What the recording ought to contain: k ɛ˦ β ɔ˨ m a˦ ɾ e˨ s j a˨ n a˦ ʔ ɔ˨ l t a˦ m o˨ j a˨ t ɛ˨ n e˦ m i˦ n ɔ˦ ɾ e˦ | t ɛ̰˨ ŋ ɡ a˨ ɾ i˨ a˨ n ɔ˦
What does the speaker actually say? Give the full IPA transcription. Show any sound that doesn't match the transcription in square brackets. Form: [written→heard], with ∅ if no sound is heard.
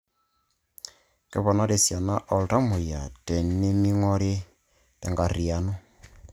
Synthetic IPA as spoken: k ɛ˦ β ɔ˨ [m→n] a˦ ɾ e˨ s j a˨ n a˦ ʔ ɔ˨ l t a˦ m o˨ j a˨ t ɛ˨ n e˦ m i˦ [n→ŋ] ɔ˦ ɾ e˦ | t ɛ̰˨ ŋ ɡ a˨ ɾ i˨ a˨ n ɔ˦